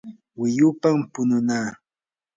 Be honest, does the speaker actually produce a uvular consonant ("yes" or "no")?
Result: no